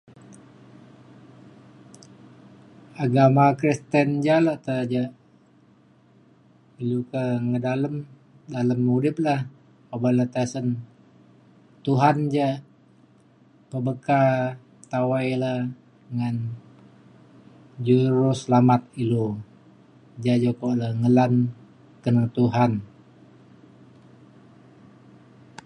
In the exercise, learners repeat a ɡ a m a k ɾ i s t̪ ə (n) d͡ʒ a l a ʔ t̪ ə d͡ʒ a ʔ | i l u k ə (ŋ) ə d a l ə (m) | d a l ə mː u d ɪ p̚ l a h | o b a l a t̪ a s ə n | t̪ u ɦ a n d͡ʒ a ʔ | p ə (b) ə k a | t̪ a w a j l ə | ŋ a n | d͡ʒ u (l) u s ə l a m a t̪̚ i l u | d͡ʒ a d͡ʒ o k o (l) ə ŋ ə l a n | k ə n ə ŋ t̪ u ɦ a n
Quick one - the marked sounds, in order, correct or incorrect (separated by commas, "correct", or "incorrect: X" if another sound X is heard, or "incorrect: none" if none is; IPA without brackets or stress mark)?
correct, correct, correct, correct, incorrect: ɾ, correct